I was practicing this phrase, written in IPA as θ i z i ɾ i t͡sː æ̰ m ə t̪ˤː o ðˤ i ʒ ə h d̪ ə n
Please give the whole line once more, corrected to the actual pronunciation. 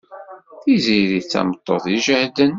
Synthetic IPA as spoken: θ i z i ɾ i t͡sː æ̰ m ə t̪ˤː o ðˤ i ʒ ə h d̪ ə n

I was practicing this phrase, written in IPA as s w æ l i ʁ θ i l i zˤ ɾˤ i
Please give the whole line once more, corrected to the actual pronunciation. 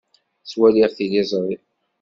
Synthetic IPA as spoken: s w æ l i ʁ θ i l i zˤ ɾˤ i

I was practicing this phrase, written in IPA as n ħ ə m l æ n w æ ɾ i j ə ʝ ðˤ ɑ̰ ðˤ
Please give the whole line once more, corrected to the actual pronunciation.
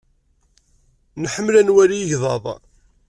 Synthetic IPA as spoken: n ħ ə m l æ n w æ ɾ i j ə ʝ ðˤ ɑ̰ ðˤ

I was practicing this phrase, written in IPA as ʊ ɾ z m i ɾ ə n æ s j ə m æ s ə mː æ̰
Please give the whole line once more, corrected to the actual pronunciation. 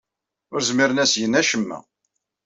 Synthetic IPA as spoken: ʊ ɾ z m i ɾ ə n æ s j ə n æ ʃ ə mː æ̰

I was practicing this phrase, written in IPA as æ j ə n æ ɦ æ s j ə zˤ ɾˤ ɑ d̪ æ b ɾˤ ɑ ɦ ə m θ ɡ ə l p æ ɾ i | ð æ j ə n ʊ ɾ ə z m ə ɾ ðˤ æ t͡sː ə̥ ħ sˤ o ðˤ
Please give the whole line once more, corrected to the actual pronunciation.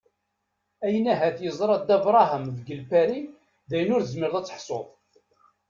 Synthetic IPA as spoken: æ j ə n æ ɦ æ θ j ə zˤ ɾˤ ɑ d̪ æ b ɾˤ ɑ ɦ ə m ð ɡ ə l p æ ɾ i | ð æ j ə n ʊ ɾ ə z m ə ɾ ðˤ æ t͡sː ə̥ ħ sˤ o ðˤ

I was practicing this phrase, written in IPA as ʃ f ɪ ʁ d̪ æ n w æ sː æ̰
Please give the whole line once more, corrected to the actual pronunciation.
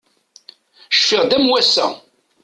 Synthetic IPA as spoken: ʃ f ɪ ʁ d̪ æ m w æ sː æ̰

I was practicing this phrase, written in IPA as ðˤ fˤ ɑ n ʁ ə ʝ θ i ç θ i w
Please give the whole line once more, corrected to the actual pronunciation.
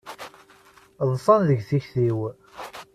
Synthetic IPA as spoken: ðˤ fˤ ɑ n ð ə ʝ θ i ç θ i w

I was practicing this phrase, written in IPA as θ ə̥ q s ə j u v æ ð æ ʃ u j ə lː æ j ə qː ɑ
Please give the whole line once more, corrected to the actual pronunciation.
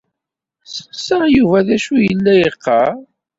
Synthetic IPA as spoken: s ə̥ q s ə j u v æ ð æ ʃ u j ə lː æ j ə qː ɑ

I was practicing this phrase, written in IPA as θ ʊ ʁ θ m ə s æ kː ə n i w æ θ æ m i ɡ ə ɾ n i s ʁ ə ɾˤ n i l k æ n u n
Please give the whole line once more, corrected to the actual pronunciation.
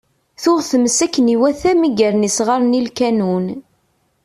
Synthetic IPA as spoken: θ ʊ ʁ θ m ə s æ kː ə n i w æ θ æ m i ɡ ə ɾ n i s ʁ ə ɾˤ n i l k æ n u n

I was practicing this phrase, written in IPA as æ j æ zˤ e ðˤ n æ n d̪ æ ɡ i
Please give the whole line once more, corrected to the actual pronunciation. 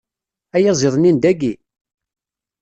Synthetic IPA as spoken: æ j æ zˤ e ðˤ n i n d̪ æ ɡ i

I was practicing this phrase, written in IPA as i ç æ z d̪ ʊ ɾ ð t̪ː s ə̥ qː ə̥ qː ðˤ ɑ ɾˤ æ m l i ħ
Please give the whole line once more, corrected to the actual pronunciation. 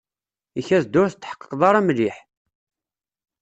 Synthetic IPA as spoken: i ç æ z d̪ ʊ ɾ θ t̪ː ħ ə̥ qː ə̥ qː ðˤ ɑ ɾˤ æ m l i ħ

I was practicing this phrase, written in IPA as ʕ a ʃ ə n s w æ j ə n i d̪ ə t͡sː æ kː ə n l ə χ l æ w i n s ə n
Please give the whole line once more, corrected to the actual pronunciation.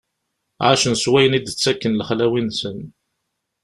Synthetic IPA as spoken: ʕ a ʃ ə n s w æ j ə n i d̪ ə t͡sː æ kː ə n l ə χ l æ w i n s ə n

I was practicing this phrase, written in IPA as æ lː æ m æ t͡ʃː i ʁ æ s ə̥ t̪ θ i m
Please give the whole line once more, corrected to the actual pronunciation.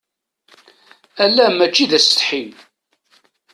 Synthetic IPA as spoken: æ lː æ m æ t͡ʃː i ð æ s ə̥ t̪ ħ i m

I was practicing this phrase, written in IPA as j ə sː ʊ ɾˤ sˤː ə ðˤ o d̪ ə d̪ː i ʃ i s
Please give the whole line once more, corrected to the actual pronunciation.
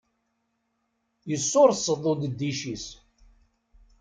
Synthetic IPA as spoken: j ə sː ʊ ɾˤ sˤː ə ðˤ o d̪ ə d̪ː i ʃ i s

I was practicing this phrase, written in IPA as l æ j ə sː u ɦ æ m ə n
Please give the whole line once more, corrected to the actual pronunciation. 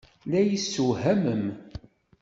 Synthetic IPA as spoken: l æ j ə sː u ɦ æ m ə m

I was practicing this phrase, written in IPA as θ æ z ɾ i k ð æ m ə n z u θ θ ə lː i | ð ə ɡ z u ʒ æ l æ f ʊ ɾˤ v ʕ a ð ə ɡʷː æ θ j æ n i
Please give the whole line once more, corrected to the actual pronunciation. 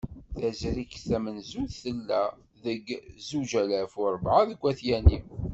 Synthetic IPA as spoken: θ æ z ɾ i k θ æ m ə n z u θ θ ə lː æ | ð ə ɡ z u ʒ æ l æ f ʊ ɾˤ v ʕ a ð ə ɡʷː æ θ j æ n i

